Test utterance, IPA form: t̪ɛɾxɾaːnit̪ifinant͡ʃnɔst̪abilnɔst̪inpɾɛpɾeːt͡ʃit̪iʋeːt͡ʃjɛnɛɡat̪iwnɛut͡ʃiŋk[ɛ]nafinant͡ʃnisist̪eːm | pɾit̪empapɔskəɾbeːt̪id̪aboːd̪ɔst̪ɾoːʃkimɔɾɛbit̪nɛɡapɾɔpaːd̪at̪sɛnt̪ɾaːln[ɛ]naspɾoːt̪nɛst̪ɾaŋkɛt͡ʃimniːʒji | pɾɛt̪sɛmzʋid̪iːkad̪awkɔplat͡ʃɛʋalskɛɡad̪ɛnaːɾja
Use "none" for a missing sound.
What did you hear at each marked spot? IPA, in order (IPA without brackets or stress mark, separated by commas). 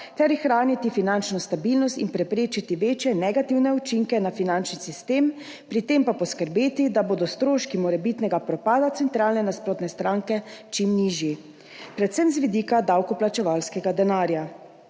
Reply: ɛ, ɛ